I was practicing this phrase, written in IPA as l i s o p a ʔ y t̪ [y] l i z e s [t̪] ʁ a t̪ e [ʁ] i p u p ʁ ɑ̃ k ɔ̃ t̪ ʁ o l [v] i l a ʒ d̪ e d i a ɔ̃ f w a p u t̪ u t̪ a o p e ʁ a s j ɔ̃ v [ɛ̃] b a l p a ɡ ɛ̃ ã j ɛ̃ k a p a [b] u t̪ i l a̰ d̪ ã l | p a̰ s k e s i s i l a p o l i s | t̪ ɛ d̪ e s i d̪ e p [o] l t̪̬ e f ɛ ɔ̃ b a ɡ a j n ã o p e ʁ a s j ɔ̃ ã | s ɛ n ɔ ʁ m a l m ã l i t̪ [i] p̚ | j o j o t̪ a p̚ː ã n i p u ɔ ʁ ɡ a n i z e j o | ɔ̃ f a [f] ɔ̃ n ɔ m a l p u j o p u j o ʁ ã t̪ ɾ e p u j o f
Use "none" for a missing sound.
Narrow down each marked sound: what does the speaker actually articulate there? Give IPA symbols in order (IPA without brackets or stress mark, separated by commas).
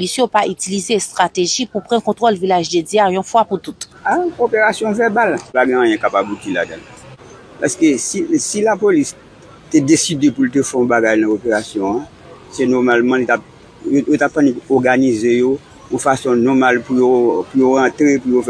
i, t̪, ʒ, v, ɛ, b, u, a, s